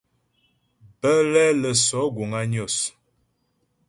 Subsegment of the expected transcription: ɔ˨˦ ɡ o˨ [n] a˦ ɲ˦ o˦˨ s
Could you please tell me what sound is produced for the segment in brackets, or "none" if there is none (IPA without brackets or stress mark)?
ŋ